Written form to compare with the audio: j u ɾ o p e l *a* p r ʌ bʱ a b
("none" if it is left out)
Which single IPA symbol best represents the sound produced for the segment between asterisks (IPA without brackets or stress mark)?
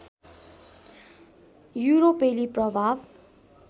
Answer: i